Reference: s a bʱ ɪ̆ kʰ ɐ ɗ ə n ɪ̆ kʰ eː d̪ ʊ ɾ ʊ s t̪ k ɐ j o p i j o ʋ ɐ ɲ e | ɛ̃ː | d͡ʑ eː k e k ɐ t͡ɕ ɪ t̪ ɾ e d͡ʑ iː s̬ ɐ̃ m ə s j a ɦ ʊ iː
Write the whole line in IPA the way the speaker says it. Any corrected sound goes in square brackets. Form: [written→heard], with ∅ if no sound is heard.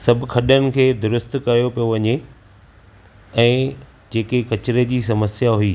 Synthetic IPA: s [a→ɐ] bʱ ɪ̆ kʰ ɐ ɗ ə n ɪ̆ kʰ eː d̪ ʊ ɾ ʊ s t̪ k ɐ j o p i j o ʋ ɐ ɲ e | ɛ̃ː | d͡ʑ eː k e k ɐ t͡ɕ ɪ [t̪→∅] ɾ e d͡ʑ iː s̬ [ɐ̃→ɐ] m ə s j a ɦ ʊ iː